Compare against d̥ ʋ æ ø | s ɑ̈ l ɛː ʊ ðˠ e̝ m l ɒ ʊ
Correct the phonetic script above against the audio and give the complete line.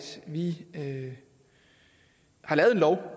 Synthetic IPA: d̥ ʋ i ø | h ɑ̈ l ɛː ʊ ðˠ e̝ n l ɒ ʊ